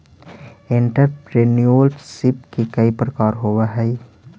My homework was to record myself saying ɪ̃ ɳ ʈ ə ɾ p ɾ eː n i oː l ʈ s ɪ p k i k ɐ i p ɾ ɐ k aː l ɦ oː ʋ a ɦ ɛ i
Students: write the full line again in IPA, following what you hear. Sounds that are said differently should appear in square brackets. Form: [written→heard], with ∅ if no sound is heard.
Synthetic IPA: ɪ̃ ɳ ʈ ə ɾ p ɾ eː n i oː l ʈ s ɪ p k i k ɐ i p ɾ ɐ k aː [l→ɾ] ɦ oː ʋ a ɦ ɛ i